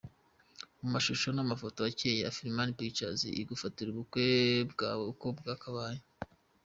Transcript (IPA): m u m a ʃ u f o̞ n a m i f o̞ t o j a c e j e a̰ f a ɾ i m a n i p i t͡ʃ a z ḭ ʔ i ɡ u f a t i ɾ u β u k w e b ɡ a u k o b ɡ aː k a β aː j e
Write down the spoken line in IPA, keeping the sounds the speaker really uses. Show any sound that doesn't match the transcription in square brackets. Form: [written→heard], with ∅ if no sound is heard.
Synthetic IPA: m u m a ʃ u [f→ʃ] o̞ n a m [i→a] f o̞ t o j a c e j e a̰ f [a→i] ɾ i m a n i p i t͡ʃ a z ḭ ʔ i ɡ u f a t i ɾ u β u k w e b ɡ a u k o b ɡ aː k a β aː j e